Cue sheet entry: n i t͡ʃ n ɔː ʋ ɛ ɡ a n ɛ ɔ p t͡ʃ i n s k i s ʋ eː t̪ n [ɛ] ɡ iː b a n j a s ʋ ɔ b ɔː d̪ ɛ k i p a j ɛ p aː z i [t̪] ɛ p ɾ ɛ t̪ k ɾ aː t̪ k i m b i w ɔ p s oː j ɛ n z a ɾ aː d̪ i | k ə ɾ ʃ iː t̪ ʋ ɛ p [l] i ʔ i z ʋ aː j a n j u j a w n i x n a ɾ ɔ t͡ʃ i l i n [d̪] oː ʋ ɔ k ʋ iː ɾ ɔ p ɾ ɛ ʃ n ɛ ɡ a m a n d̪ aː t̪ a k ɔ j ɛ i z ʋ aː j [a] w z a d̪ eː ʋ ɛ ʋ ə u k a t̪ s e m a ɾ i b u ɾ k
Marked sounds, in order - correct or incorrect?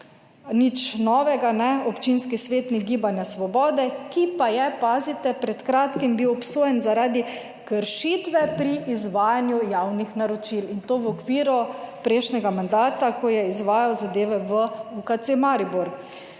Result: incorrect: i, correct, incorrect: ɾ, incorrect: t̪, correct

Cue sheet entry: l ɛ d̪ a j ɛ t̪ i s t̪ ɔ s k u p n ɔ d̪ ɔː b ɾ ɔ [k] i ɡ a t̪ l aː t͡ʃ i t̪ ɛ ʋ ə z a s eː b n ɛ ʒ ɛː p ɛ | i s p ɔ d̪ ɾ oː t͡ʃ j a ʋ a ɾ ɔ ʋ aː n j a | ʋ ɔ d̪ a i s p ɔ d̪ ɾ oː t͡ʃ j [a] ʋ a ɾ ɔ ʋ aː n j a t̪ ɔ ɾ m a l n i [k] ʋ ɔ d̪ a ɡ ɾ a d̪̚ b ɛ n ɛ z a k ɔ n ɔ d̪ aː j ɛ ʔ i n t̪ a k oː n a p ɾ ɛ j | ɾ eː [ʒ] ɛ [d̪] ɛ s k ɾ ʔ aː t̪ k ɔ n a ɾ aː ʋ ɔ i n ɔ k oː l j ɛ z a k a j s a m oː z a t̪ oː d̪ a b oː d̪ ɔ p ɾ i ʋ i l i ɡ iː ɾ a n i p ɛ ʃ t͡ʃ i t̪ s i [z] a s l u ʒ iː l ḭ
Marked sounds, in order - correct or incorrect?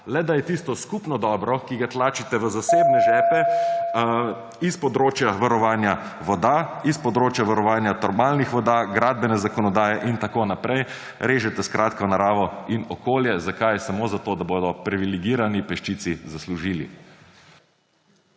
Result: correct, correct, incorrect: x, correct, incorrect: t̪, correct

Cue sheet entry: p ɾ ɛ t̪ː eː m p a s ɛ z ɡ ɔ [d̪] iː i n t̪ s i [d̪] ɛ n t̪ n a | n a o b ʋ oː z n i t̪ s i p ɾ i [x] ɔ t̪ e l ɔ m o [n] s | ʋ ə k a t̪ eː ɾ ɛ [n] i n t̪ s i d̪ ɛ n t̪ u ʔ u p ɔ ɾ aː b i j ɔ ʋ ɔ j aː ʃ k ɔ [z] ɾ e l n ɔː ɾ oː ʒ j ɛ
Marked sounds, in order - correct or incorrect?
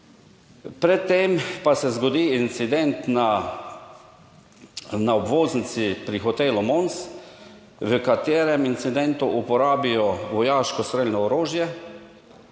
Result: correct, correct, correct, correct, incorrect: m, incorrect: s

